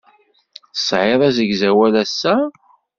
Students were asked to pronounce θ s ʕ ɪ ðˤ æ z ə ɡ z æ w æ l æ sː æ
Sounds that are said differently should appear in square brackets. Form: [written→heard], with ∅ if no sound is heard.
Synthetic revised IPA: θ s ʕ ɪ ðˤ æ z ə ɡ z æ w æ l æ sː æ